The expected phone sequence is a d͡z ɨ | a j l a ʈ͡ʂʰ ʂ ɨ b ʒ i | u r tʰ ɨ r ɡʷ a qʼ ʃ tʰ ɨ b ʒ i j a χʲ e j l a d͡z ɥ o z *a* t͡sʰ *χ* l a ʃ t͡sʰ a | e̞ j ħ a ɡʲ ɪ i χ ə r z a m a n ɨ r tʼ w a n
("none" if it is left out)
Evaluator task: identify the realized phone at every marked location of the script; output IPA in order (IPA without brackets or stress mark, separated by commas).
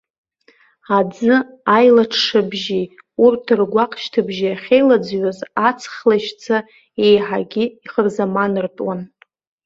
a, χ